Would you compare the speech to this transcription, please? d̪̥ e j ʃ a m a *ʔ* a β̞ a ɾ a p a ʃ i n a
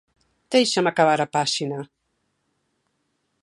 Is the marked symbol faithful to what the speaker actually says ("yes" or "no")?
no